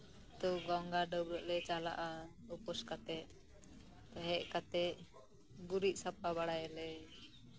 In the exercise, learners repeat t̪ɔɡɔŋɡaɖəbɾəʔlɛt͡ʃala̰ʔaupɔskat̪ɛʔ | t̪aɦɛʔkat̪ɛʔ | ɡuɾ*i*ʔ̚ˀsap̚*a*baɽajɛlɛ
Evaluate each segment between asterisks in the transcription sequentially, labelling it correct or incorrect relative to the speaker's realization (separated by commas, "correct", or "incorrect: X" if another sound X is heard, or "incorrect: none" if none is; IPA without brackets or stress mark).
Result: correct, correct